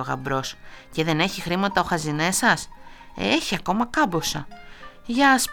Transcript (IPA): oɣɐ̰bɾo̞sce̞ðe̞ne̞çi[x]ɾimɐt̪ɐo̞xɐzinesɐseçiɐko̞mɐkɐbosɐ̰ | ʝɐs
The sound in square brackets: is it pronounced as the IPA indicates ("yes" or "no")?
yes